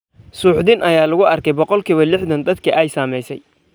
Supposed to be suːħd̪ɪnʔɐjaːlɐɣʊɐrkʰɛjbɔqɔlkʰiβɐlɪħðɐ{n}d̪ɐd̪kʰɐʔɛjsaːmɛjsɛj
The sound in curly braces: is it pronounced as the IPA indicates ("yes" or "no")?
yes